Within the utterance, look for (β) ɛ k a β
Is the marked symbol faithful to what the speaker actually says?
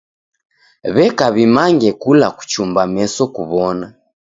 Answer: yes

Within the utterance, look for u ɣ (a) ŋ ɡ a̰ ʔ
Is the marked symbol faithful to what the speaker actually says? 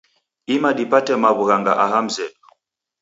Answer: yes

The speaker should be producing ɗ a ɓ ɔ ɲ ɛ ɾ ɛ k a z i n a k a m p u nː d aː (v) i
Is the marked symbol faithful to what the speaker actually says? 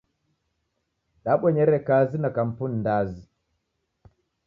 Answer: no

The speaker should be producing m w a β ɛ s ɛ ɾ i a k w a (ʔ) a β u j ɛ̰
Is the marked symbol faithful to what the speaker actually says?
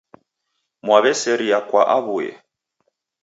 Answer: yes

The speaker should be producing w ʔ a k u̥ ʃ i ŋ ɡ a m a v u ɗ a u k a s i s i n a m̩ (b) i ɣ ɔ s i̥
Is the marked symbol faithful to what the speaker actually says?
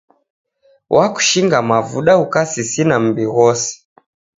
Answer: yes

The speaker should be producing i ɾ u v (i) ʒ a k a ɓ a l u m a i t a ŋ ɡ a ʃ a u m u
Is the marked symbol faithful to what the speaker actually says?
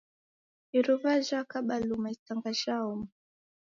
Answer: no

